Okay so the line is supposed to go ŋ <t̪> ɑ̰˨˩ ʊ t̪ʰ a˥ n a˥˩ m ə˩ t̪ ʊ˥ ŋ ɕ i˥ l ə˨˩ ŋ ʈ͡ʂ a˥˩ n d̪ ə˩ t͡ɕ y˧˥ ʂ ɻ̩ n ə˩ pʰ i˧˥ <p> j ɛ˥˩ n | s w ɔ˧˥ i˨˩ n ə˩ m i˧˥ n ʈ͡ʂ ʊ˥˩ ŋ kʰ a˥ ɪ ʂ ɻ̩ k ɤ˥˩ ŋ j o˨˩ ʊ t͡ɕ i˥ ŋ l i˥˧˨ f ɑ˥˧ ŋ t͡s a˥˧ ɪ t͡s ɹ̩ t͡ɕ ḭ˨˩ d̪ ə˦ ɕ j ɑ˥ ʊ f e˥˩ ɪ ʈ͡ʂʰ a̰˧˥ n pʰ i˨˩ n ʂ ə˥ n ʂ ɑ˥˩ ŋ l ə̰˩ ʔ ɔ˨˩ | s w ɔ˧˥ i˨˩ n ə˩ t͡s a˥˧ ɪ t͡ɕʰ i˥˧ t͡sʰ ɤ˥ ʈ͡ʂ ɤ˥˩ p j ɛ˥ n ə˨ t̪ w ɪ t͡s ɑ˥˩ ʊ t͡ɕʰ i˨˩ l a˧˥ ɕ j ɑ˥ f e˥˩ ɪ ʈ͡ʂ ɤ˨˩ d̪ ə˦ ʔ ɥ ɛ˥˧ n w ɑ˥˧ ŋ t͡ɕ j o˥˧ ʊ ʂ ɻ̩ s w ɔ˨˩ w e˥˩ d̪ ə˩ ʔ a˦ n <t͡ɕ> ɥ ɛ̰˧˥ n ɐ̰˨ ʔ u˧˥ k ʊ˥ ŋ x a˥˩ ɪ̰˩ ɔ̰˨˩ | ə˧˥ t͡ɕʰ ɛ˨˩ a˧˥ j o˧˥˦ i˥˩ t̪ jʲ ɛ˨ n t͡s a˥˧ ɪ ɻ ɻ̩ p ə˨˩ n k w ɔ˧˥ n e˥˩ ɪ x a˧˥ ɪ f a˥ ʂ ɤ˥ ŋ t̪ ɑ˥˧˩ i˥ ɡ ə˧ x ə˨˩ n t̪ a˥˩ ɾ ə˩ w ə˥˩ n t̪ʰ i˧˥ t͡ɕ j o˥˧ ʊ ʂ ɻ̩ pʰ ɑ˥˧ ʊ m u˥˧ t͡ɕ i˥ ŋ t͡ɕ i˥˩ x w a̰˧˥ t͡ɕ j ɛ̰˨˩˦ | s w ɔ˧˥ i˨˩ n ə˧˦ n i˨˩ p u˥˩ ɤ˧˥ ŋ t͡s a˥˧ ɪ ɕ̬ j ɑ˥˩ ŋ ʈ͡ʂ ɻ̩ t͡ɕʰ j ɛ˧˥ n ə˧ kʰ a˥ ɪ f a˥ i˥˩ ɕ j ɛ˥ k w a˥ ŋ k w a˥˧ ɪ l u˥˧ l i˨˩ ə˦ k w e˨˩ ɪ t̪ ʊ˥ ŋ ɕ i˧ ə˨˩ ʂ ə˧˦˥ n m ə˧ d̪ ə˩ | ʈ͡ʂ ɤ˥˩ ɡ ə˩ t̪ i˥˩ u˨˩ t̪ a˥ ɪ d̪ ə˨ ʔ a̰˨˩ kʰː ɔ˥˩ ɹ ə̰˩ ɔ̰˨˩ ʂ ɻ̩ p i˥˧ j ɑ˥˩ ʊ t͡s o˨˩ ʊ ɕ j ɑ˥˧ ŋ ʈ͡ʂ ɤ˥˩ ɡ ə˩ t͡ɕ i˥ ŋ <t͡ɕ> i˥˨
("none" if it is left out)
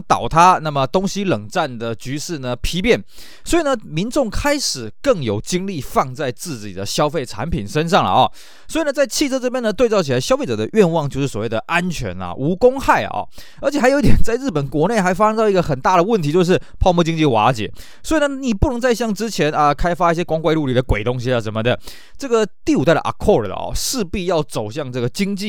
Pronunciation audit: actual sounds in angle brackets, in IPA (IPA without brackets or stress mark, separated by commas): t̪, p, t͡ɕʰ, t͡ɕ